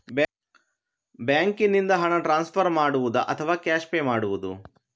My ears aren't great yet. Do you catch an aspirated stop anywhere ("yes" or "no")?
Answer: yes